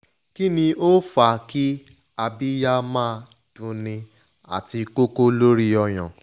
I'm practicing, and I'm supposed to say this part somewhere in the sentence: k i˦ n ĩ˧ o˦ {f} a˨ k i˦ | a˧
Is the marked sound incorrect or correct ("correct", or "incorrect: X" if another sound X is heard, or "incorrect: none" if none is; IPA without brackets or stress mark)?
correct